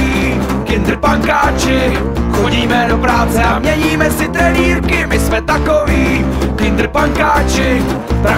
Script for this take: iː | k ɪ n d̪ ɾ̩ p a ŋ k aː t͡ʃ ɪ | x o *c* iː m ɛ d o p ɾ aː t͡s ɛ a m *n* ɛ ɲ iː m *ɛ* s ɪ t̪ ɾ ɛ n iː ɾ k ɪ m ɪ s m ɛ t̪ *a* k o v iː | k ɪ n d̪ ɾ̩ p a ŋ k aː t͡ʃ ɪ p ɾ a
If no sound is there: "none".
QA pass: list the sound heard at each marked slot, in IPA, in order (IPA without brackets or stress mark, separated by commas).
ɟ, ɲ, ɛ, a